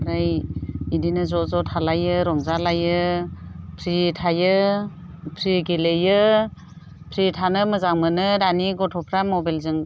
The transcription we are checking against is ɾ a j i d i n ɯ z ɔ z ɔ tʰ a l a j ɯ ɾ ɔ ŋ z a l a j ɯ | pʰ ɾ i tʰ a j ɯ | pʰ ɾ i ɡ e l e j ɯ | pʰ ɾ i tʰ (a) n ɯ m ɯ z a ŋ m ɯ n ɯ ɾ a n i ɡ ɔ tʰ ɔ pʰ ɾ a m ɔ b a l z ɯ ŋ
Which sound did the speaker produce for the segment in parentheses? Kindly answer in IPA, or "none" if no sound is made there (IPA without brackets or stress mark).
a